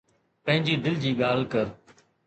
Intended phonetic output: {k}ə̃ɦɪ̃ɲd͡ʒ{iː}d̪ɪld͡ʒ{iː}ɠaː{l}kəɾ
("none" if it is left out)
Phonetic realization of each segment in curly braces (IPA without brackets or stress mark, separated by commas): p, iː, iː, l